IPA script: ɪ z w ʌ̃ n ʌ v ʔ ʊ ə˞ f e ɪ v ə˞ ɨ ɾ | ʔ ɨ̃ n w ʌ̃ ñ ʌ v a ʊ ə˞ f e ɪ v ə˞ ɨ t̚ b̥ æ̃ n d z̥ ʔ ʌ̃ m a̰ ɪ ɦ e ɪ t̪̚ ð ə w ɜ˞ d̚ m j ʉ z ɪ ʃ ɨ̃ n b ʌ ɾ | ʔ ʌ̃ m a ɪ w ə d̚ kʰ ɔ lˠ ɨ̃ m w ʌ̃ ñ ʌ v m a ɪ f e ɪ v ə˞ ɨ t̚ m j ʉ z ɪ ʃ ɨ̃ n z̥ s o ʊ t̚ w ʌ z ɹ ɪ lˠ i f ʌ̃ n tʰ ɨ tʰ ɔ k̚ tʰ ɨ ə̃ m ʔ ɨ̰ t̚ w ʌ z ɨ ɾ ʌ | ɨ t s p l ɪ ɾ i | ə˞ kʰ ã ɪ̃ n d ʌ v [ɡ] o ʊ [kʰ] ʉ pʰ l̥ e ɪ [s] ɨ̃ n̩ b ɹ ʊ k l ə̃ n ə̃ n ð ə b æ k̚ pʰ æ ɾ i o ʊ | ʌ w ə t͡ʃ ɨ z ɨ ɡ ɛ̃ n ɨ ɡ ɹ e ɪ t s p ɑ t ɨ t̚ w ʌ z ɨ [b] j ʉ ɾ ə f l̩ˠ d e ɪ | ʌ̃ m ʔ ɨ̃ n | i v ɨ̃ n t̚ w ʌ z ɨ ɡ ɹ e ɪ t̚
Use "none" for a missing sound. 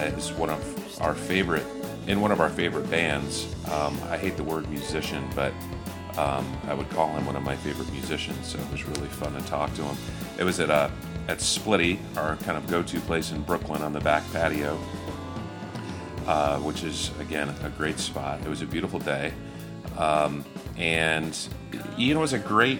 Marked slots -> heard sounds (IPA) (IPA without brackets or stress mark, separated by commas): ɡ, tʰ, s, b